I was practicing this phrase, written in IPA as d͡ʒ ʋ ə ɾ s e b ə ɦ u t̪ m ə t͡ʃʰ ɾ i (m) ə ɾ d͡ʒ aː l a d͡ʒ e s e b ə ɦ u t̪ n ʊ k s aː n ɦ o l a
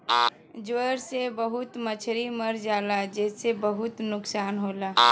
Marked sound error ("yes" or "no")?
no